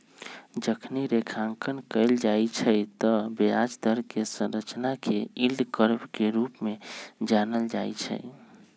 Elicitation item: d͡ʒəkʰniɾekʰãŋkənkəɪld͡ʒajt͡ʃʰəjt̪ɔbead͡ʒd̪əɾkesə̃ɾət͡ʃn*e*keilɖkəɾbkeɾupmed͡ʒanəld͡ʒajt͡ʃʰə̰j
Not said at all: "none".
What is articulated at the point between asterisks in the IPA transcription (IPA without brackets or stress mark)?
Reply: a